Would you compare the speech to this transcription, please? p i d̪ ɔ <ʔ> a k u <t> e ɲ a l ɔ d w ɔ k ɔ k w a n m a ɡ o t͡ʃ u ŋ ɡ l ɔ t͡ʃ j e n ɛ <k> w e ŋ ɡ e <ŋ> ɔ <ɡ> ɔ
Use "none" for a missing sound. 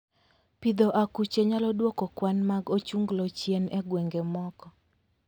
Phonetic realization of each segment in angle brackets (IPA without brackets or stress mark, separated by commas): ʔ, t͡ʃ, ɡ, m, k